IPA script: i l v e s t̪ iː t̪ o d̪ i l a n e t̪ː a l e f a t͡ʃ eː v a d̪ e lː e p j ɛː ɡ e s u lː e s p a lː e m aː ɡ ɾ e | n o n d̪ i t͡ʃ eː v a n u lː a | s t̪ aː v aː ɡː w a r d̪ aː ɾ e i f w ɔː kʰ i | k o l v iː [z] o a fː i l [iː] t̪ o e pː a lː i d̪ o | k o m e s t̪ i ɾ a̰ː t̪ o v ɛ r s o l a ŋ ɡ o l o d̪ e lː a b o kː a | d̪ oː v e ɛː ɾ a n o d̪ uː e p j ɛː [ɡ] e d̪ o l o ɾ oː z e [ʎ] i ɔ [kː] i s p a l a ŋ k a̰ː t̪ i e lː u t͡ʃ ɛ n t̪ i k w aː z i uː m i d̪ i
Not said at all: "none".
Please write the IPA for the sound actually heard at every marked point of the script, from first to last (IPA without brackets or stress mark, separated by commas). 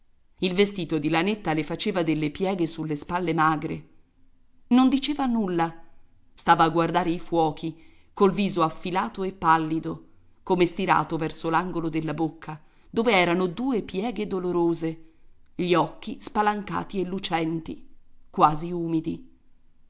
z, aː, ɡ, ʎ, kː